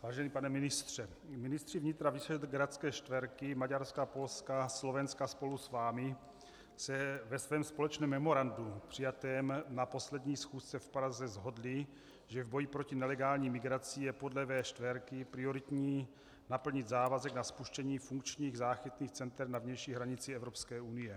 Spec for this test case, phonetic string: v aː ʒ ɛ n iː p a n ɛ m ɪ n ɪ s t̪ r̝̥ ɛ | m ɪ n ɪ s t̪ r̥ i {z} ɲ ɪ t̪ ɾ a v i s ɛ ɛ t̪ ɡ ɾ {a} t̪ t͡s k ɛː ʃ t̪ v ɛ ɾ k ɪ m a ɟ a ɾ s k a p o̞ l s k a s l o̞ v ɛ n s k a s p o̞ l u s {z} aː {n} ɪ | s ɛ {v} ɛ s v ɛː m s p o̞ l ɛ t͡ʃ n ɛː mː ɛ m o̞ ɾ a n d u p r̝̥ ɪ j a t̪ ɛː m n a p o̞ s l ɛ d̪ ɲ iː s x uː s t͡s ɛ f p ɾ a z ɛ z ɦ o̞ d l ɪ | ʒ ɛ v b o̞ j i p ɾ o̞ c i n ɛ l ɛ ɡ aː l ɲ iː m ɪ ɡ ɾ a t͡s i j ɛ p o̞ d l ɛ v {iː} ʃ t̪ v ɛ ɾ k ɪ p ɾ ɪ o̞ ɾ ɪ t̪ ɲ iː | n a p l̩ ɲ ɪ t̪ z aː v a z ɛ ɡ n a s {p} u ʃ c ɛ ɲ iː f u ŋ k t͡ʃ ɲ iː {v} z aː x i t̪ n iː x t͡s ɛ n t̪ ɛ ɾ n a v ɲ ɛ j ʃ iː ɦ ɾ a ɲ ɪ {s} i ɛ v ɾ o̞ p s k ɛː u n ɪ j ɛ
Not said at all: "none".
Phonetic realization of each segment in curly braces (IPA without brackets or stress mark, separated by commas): v, a, v, m, v, ɛː, p, ɣ, t͡s